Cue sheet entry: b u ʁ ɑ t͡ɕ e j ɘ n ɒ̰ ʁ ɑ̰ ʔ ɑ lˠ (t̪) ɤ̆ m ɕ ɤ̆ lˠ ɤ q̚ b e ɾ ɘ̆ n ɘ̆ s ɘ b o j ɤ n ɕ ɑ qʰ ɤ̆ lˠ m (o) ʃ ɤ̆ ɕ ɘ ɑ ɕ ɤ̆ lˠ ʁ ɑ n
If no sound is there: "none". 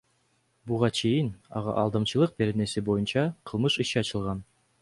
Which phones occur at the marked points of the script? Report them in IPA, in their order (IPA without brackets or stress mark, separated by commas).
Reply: d̪, ɤ